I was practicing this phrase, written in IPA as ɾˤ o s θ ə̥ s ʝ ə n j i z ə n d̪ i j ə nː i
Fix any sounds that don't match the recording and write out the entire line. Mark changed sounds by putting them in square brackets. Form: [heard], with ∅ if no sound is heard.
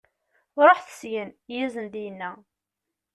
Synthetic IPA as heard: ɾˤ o [ħ] θ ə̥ s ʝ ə n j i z ə n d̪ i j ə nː [æ]